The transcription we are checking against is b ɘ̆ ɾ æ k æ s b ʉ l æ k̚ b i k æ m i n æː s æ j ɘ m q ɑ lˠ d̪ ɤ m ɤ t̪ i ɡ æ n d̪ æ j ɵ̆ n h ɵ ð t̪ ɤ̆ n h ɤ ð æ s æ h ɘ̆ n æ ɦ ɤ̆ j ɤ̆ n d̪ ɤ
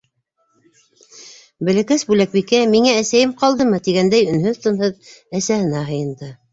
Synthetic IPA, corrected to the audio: b ɘ̆ l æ k æ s b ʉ l æ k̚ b i k æ m i ŋ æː s æ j ɘ m q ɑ lˠ d̪ ɤ m ɤ t̪ i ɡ æ n d̪ æ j ɵ̆ n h ɵ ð t̪ ɤ̆ n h ɤ ð æ s æ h ɘ̆ n æ ɦ ɤ̆ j ɤ̆ n d̪ ɤ